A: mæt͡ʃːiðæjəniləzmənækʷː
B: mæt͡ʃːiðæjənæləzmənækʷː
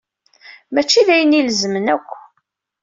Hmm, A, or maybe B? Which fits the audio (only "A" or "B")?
A